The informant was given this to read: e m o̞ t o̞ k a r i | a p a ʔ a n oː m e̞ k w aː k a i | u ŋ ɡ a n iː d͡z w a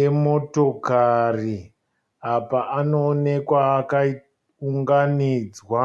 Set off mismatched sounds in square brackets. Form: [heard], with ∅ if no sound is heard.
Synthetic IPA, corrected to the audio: e m o̞ t o̞ k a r i | a p a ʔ a n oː [n] e̞ k w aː k a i | u ŋ ɡ a n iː d͡z w a